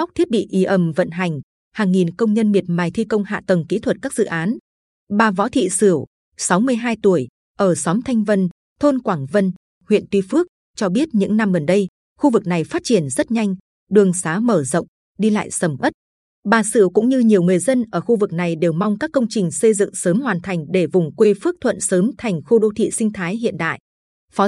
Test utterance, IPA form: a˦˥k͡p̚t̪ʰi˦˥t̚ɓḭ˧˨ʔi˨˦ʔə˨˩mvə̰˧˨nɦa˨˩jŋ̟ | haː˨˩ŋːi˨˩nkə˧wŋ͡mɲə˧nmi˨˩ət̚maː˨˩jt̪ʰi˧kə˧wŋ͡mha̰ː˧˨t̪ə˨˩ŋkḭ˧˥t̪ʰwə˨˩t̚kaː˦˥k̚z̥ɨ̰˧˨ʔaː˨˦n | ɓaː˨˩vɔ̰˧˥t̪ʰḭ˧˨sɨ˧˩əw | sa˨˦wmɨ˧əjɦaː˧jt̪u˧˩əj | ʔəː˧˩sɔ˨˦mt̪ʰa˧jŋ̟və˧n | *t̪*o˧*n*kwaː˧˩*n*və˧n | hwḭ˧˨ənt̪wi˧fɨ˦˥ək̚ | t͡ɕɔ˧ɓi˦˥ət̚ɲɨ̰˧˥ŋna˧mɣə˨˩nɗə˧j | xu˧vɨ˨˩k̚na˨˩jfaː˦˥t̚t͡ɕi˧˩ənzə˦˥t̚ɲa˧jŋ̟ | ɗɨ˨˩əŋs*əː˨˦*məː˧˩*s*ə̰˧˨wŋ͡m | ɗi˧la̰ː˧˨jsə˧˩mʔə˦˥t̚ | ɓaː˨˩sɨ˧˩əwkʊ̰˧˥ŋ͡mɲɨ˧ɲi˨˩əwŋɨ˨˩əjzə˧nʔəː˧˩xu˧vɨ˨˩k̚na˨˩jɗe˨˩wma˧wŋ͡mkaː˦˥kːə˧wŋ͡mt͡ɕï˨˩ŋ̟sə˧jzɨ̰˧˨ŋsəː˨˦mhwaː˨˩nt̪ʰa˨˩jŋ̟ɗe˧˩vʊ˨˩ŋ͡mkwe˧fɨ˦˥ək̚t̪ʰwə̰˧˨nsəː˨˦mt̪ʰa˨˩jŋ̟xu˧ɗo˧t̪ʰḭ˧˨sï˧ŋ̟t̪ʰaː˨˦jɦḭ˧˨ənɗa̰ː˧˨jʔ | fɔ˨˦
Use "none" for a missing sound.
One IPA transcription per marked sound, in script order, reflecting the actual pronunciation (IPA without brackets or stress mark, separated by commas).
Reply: t̪ʰ, n, ŋ, aː˨˦, z